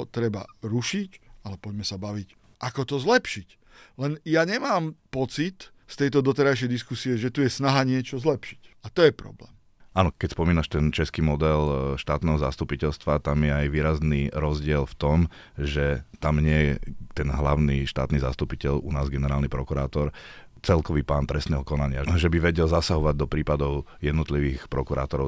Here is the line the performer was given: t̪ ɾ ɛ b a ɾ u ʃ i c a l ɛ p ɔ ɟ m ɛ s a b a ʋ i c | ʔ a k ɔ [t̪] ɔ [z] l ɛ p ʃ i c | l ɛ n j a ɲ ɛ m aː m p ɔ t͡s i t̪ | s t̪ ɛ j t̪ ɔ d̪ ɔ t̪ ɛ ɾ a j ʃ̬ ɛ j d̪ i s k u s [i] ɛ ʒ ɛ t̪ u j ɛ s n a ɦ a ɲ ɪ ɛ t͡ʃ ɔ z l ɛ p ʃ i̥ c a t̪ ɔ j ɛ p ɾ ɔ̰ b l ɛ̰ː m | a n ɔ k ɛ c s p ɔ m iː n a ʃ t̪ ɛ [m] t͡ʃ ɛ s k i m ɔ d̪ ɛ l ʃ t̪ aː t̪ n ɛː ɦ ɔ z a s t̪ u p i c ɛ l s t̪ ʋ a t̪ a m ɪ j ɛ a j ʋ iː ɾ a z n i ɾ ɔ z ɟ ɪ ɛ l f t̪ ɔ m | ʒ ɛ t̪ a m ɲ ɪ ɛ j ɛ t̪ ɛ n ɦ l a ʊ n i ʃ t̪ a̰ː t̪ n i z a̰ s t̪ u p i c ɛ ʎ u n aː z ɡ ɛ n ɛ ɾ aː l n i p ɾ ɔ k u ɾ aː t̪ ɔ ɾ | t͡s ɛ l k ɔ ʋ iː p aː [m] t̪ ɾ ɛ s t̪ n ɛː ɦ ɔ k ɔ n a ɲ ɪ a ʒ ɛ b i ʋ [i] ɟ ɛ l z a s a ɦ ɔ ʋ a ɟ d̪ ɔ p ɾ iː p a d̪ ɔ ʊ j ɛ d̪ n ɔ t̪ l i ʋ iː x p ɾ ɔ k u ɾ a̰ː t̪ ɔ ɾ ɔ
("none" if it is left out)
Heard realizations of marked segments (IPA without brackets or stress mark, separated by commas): t̪, z, i, n, n, ɛ